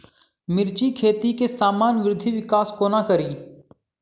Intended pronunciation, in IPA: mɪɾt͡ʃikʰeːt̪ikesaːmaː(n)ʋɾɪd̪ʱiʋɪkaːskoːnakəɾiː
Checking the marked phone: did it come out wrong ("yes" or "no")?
no